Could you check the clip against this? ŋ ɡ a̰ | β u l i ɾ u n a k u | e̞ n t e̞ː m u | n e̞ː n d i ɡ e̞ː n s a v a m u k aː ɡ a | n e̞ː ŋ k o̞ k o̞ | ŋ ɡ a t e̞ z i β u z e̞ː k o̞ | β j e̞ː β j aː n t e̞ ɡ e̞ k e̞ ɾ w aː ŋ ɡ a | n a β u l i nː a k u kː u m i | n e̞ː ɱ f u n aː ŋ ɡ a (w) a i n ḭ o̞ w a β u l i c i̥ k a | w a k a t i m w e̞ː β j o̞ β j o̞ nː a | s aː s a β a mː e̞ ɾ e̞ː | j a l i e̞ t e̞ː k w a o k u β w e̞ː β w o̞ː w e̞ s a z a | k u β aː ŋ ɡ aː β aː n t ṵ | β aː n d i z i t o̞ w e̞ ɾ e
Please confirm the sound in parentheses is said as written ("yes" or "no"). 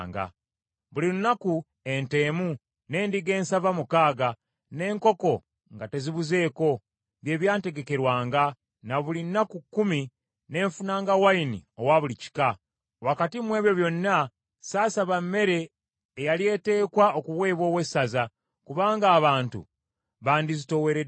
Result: yes